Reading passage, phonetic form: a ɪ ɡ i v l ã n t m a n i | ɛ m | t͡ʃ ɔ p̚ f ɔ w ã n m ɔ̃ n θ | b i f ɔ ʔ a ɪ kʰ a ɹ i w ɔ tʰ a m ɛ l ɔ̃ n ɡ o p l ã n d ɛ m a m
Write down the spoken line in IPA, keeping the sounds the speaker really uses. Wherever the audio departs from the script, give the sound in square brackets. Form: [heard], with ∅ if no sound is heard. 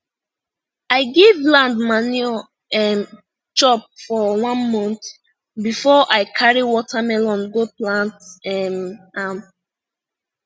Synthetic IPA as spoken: a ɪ ɡ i v l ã n [d] m a n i | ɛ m | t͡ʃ ɔ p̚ f ɔ w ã n m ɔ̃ n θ | b i f ɔ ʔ a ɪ kʰ a ɹ i w ɔ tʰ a m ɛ l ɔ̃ n ɡ o p l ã n [t] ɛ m a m